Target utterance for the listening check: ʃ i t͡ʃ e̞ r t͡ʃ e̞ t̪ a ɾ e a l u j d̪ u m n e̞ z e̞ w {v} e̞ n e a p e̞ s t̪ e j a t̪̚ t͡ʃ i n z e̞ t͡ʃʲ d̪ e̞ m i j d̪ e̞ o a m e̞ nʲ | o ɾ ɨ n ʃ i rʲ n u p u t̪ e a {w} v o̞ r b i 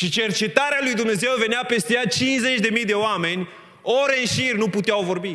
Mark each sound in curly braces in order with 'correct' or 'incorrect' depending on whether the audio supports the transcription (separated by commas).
correct, correct